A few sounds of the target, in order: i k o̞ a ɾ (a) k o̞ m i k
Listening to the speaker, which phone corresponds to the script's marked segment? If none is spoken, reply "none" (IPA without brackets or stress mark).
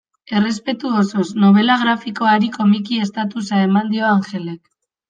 i